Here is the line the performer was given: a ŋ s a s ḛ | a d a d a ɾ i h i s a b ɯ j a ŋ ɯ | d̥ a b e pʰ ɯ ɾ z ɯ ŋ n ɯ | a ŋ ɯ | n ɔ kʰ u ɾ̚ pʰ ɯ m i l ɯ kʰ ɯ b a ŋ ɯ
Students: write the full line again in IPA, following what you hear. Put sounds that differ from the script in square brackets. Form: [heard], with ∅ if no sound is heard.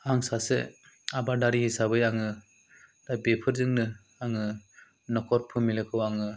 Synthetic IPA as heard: a ŋ s a s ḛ | a [b] a d a ɾ i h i s a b ɯ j a ŋ ɯ | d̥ a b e pʰ ɯ ɾ z ɯ ŋ n ɯ | a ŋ ɯ | n ɔ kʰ [ɔ] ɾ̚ pʰ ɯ m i l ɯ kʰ ɯ [w] a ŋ ɯ